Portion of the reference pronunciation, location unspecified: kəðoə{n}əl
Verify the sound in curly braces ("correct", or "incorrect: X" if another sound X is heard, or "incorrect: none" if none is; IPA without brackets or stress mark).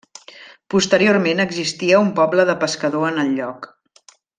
correct